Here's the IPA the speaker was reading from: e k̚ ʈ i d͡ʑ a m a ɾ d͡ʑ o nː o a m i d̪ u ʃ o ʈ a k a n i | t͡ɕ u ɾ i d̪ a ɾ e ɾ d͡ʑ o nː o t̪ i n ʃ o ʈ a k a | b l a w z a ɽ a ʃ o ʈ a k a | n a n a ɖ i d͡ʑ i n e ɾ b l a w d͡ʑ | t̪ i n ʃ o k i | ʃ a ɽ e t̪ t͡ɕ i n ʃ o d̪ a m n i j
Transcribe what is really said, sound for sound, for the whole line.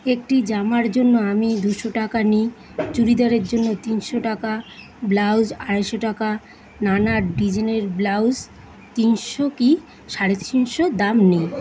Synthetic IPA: e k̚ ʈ i d͡ʑ a m a ɾ d͡ʑ o nː o a m i d̪ u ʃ o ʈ a k a n i | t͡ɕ u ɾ i d̪ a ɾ e ɾ d͡ʑ o nː o t̪ i n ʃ o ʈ a k a | b l a w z a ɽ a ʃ o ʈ a k a | n a n a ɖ i d͡ʑ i n e ɾ b l a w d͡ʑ | t̪ i n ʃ o k i | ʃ a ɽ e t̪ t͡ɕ i n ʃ o d̪ a m n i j